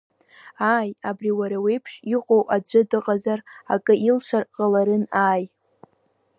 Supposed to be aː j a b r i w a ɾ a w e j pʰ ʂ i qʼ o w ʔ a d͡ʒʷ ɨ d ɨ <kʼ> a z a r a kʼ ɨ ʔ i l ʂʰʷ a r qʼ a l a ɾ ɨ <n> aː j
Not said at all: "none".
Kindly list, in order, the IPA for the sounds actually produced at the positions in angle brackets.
qʼ, n

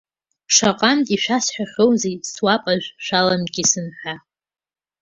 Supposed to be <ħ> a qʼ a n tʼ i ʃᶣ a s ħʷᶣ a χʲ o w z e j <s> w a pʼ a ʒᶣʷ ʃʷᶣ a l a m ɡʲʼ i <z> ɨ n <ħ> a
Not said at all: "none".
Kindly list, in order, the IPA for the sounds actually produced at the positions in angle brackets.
ʂ, s, s, ħ

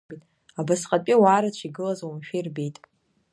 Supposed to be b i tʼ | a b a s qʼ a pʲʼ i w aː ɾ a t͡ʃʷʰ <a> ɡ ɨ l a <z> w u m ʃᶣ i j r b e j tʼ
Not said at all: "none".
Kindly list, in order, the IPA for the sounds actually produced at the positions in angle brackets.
i, z

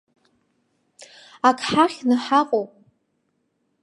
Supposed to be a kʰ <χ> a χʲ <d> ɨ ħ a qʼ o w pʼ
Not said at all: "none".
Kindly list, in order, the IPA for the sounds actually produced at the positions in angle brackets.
ħ, n

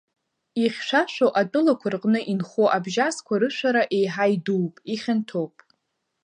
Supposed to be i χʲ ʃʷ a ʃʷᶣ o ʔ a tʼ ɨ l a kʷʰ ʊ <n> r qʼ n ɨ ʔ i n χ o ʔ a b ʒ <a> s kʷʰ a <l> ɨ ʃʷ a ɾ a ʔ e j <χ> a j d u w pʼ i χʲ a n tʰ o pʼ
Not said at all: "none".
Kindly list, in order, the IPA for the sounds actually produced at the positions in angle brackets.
none, a, ɾ, ħ

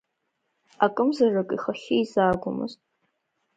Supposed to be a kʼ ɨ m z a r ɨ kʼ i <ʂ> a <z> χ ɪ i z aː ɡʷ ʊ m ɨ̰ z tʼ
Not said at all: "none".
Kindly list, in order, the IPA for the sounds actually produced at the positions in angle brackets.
χ, none

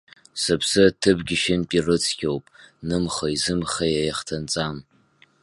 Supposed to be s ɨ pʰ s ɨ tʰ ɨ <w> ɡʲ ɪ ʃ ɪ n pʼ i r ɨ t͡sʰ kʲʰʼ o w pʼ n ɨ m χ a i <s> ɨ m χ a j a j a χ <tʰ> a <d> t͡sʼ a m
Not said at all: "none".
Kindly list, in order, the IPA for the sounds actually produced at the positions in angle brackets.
b, z, tʰ, n

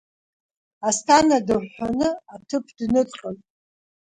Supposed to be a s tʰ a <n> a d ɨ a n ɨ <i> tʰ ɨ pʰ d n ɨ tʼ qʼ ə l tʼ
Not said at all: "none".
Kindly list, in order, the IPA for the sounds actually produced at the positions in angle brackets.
n, a

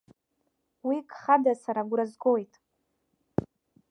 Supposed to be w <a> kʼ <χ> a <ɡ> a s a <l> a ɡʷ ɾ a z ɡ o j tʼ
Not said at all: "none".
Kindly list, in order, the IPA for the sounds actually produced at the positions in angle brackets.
i, χ, d, ɾ

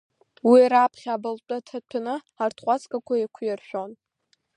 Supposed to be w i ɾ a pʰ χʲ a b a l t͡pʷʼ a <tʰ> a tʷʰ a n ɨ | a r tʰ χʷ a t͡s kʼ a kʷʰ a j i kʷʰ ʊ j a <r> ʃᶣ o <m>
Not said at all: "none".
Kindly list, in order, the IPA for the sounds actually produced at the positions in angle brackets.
tʰ, r, n

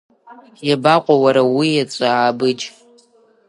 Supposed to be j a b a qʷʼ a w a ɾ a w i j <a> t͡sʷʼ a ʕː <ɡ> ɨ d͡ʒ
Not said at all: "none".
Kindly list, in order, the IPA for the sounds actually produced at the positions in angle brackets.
a, b

